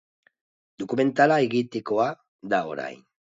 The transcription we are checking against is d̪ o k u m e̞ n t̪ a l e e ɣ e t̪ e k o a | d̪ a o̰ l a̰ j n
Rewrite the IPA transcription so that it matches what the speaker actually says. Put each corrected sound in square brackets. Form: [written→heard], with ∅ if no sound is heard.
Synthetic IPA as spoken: d̪ o k u m e̞ n t̪ a l [e→a] e ɣ [e→i] t̪ e k o a | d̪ a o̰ [l→ɾ] a̰ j n